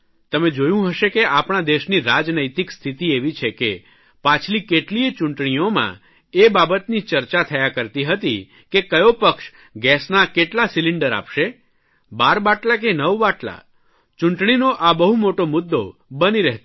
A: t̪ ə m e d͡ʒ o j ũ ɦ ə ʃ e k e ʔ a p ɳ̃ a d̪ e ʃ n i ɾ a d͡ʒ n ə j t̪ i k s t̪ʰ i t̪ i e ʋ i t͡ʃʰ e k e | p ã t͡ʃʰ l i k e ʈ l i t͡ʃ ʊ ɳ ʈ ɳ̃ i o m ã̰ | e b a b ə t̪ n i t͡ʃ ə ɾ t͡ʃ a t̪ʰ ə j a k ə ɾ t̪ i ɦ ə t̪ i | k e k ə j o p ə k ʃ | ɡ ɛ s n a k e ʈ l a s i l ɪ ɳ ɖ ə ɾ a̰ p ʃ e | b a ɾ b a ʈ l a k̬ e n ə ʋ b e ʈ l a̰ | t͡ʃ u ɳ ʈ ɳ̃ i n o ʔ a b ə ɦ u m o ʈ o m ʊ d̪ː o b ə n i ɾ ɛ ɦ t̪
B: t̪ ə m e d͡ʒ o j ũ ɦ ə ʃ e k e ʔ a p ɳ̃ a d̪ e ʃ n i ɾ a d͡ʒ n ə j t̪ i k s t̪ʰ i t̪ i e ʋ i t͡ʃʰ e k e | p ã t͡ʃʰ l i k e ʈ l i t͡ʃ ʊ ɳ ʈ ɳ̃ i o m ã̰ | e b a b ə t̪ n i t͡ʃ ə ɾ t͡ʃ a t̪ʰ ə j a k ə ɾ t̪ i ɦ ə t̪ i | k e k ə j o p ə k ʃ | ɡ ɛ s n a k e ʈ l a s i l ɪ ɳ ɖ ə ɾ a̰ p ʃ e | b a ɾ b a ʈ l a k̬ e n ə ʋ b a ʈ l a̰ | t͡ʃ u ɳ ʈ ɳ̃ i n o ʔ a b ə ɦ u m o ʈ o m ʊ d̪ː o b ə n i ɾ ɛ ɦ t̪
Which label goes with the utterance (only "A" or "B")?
B